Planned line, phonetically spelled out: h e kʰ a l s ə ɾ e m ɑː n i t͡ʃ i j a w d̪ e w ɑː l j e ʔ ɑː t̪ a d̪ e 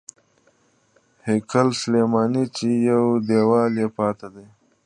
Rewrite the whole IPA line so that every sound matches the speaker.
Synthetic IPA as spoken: h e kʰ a l s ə l e m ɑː n i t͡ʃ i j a w d̪ e w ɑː l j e p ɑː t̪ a d̪ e

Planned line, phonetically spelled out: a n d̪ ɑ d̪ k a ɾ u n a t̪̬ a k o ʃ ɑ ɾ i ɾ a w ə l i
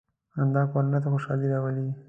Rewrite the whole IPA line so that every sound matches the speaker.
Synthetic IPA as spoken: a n d̪ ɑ k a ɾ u n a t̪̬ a x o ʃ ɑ l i ɾ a w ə l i

